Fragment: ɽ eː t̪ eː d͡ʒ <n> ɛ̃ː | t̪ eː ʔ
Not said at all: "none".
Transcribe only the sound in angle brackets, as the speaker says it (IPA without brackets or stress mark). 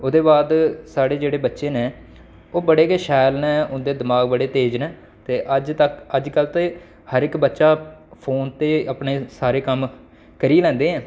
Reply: n